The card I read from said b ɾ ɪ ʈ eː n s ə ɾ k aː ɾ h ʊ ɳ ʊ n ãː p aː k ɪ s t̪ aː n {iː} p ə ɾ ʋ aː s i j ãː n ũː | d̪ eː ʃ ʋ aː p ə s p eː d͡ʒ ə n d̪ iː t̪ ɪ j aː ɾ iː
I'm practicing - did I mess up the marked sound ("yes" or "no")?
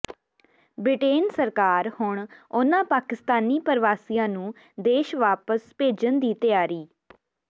no